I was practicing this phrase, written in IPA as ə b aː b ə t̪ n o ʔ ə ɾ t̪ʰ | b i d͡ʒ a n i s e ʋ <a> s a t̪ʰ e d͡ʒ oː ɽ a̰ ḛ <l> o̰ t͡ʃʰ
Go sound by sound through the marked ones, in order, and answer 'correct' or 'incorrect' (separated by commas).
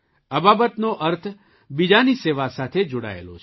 correct, correct